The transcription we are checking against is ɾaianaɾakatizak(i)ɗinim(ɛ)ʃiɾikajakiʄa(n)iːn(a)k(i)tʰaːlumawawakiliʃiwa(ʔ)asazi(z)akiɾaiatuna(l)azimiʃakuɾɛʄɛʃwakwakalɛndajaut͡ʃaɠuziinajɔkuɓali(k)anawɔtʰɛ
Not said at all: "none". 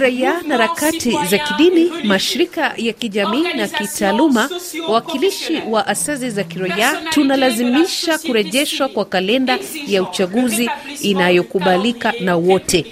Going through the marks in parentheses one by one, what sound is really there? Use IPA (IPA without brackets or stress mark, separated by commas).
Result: i, a, m, a, i, ʔ, z, l, k